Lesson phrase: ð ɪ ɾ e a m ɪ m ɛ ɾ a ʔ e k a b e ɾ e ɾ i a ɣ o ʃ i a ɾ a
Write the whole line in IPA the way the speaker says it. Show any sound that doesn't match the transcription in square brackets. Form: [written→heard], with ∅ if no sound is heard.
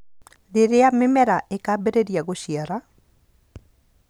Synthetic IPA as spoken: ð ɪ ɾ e a m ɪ m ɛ ɾ a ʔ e k a b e ɾ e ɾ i a ɣ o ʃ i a ɾ a